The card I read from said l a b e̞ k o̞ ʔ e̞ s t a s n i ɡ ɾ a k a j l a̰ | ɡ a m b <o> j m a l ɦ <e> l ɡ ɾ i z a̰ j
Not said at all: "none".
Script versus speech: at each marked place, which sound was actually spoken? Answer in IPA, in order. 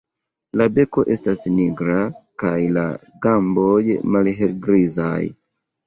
o, e

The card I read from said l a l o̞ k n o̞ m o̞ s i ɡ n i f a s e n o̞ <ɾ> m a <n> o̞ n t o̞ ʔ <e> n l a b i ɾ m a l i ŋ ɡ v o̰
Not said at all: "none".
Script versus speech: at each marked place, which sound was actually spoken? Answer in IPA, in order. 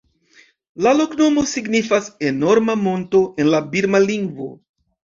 ɾ, m, e

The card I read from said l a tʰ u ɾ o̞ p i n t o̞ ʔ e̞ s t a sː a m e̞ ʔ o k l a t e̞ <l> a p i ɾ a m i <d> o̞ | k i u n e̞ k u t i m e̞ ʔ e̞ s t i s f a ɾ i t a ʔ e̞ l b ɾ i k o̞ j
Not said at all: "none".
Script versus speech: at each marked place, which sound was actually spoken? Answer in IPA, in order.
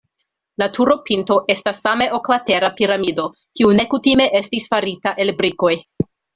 ɾ, d

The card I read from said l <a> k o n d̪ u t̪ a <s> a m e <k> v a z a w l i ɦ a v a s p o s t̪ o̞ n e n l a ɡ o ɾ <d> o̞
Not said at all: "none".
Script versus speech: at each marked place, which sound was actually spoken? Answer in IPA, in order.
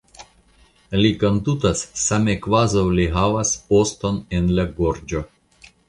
i, sː, k, d͡ʒ

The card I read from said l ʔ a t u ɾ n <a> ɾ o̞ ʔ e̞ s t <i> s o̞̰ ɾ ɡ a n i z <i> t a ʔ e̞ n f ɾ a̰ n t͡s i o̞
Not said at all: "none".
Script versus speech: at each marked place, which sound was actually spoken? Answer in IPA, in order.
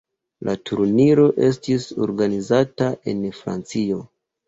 i, i, a

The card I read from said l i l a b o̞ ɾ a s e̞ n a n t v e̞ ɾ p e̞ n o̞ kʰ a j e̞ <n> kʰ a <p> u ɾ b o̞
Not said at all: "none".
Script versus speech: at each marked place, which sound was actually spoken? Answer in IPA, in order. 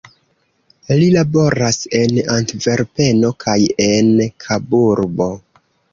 n, b

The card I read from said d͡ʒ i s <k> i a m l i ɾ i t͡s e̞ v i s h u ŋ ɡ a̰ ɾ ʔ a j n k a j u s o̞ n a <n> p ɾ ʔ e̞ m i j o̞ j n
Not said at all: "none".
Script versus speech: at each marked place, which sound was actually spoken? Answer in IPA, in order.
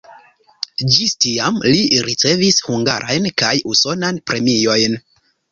t, n

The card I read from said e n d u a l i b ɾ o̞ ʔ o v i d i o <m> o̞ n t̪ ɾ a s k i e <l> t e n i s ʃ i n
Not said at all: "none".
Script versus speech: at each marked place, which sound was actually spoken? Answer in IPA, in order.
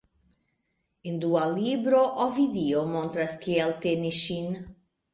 m, l

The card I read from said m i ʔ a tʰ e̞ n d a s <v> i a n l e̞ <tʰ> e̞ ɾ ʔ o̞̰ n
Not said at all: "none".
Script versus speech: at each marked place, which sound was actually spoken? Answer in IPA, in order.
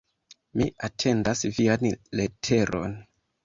v, tʰ

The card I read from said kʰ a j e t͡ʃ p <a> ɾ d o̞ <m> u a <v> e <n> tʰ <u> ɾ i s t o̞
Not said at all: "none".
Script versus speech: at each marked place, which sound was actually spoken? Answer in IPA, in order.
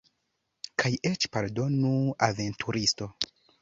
a, n, v, n, u

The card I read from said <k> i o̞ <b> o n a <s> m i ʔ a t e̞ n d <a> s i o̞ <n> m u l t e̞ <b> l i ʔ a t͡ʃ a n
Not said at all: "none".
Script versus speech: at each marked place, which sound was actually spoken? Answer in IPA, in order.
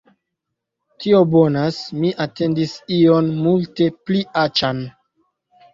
t, b, s, i, n, p

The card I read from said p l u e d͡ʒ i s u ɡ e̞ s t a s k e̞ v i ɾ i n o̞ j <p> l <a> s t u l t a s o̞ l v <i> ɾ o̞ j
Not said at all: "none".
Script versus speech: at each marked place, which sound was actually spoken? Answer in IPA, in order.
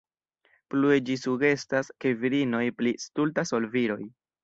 p, i, i

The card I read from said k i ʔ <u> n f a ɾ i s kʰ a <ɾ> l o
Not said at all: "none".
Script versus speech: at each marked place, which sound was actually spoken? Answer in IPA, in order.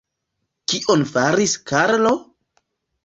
o, ɾ

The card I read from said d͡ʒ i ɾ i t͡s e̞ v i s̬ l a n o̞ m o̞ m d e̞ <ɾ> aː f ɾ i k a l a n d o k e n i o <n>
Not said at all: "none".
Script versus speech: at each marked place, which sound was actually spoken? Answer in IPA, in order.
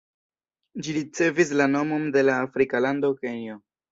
l, none

